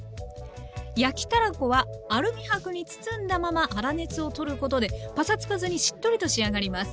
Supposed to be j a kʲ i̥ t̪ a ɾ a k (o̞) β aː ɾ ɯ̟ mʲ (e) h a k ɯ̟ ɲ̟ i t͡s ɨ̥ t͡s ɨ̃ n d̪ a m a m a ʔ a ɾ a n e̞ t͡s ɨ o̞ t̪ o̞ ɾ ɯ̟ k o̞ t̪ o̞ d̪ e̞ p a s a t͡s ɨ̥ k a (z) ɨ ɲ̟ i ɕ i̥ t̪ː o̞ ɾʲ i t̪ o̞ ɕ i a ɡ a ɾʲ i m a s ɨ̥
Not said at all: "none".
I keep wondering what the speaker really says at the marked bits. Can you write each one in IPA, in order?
o̞, i, z

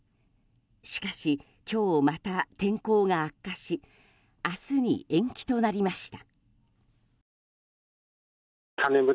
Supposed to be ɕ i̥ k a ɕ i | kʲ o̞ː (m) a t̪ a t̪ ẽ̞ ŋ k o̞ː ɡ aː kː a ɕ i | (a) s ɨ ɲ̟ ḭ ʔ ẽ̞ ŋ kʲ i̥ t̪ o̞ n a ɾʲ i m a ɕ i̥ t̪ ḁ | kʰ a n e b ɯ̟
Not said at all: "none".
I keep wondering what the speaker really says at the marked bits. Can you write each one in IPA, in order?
m, a

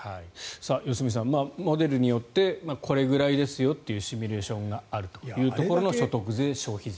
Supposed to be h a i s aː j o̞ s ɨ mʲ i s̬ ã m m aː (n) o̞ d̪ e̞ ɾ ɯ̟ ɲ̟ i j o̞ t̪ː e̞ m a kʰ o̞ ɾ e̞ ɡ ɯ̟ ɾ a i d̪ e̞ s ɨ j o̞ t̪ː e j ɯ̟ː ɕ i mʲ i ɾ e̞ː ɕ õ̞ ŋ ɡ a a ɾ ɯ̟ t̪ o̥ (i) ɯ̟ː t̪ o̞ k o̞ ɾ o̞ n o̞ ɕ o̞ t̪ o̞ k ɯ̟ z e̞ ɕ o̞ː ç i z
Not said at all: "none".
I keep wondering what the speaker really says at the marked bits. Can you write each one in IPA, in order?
m, j

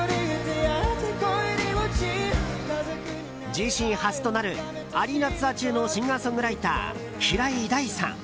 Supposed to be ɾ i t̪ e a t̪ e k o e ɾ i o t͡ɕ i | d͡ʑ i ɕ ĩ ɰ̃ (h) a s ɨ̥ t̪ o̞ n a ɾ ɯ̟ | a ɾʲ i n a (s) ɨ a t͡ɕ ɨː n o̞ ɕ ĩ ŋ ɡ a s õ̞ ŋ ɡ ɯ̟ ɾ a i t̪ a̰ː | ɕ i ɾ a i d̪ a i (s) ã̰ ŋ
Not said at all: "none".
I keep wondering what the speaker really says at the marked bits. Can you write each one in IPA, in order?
h, t͡s, s

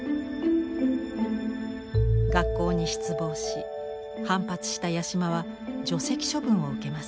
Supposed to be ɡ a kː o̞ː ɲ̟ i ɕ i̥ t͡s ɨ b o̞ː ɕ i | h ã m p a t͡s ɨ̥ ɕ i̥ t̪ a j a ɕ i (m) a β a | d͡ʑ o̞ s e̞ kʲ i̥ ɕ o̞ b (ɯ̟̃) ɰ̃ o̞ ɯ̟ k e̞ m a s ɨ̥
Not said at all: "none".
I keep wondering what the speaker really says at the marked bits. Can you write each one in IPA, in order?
m, ɯ̟̃

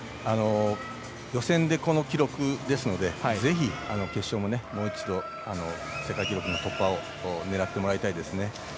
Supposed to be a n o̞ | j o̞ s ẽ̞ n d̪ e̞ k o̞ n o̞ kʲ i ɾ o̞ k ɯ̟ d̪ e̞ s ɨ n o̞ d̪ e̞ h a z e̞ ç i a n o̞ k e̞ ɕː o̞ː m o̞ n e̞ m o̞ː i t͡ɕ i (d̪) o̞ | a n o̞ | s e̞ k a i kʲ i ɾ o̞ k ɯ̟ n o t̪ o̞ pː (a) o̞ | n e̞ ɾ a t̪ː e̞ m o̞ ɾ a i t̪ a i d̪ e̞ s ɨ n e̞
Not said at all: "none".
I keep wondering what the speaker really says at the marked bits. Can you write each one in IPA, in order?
d̪, a

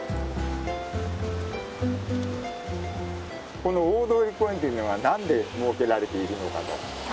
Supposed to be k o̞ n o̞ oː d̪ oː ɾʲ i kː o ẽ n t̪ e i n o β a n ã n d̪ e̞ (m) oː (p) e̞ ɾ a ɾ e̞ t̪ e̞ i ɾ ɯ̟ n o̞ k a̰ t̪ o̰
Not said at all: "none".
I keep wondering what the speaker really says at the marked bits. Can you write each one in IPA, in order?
m, k

